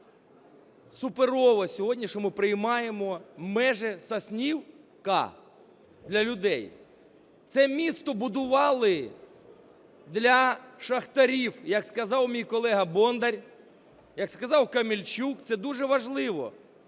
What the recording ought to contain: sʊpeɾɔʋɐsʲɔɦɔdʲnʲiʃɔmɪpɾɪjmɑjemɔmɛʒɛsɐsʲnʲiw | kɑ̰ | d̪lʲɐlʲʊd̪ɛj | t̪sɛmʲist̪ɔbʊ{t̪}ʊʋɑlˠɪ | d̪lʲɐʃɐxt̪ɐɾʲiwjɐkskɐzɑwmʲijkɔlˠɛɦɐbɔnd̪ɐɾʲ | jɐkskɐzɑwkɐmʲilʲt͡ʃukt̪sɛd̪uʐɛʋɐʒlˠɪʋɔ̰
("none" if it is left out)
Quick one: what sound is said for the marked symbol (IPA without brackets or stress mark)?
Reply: d̪